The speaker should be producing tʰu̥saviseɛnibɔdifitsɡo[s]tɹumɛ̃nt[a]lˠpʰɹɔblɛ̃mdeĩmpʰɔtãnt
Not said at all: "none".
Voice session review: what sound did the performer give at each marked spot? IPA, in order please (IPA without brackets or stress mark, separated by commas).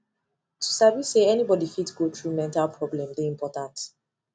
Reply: none, a